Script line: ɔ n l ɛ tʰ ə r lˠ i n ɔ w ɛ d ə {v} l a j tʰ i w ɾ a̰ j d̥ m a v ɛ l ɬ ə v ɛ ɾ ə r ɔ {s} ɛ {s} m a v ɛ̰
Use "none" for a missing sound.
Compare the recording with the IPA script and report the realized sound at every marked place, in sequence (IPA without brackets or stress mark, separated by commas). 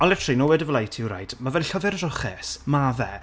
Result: v, χ, s